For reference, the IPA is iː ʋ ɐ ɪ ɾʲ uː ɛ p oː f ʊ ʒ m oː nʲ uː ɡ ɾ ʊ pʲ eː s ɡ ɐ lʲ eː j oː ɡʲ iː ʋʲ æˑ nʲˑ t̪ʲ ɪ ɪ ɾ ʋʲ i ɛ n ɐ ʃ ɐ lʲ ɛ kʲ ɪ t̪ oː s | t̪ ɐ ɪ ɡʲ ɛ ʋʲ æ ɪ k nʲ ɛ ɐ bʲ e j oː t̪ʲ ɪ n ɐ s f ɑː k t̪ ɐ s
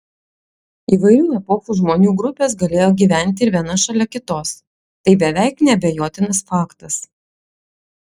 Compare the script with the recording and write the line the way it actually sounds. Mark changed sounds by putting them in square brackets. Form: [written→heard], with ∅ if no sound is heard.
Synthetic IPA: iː ʋ ɐ ɪ ɾʲ uː ɛ p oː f [ʊ→u] ʒ m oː nʲ uː ɡ ɾ ʊ pʲ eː s ɡ ɐ lʲ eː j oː ɡʲ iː ʋʲ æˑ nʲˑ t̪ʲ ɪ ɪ ɾ ʋʲ i ɛ n ɐ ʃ ɐ lʲ ɛ kʲ ɪ t̪ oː s | t̪ ɐ ɪ [ɡʲ→bʲ] ɛ ʋʲ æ ɪ k nʲ ɛ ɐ bʲ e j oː t̪ʲ ɪ n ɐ s f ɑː k t̪ ɐ s